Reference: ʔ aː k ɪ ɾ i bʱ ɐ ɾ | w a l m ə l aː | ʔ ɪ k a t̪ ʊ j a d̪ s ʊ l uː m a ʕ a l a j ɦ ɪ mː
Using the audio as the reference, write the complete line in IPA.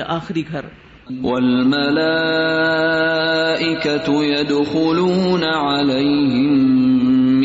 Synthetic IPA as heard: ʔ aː x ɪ ɾ i ɡʱ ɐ ɾ | w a l m a l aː | ʔ ɪ k a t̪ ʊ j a d̪ x ʊ l uː n a ʕ a l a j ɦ ɪ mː